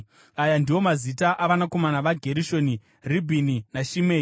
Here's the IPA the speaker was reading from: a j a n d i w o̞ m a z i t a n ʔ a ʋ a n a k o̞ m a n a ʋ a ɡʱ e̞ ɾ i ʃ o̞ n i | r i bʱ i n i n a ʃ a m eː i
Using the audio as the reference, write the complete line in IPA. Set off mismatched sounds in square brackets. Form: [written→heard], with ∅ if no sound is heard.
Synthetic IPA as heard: a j a n d i w o̞ m a z i t a [n→∅] ʔ a ʋ a n a k o̞ m a n a ʋ a ɡʱ e̞ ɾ i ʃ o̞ n i | r i bʱ i n i n a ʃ [a→i] m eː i